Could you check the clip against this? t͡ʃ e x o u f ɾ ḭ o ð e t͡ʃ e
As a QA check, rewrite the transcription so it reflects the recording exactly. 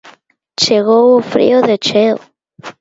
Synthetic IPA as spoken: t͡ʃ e ɣ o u f ɾ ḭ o ð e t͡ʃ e